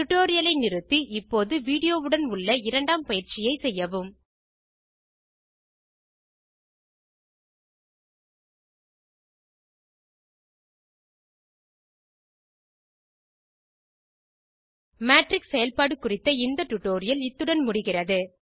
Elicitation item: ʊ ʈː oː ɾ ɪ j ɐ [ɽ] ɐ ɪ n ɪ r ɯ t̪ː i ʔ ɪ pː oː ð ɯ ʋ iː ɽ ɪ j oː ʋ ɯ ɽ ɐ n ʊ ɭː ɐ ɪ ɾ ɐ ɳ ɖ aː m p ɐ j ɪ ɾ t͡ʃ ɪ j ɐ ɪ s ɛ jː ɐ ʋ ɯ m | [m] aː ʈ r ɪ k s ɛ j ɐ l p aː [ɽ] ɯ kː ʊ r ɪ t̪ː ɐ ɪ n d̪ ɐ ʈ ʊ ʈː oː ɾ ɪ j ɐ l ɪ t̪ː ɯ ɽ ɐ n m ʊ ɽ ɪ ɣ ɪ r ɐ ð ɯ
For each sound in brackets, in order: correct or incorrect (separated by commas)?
incorrect, correct, correct